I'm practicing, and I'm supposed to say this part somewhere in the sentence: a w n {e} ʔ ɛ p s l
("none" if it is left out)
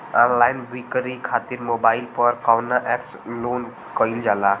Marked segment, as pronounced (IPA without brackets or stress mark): a